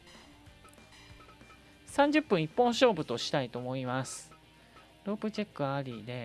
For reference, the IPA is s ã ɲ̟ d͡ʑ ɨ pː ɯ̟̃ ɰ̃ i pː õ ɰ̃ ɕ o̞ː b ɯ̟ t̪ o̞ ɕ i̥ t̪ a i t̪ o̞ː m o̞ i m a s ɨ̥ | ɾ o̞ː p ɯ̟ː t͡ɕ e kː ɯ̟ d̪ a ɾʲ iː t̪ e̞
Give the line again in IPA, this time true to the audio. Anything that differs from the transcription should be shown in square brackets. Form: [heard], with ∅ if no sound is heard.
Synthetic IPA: s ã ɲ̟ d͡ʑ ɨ pː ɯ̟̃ ɰ̃ i pː õ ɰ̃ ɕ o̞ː b ɯ̟ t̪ o̞ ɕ i̥ t̪ a i t̪ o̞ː m o̞ i m a s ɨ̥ | ɾ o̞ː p [ɯ̟] t͡ɕ e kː ɯ̟ [∅] a ɾʲ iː [d̪] e̞

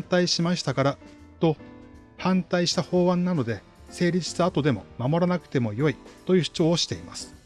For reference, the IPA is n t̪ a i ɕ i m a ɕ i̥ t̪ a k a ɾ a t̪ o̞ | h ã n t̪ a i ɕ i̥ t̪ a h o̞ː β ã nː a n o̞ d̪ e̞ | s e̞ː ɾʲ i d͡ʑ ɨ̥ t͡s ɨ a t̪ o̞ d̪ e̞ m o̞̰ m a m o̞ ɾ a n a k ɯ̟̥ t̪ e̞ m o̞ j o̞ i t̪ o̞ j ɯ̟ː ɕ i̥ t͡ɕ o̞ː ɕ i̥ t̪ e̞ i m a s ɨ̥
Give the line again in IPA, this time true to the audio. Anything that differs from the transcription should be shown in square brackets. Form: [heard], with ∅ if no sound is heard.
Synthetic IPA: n t̪ a i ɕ i m a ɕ i̥ t̪ a k a ɾ a t̪ o̞ | h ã n t̪ a i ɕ i̥ t̪ a h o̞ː β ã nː a n o̞ d̪ e̞ | s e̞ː ɾʲ i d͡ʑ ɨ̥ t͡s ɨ a t̪ o̞ d̪ e̞ m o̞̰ m a m o̞ ɾ a n a k ɯ̟̥ t̪ e̞ m o̞ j o̞ i t̪ o̞ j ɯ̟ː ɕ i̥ t͡ɕ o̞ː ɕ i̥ t̪ e̞ i m a s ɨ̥

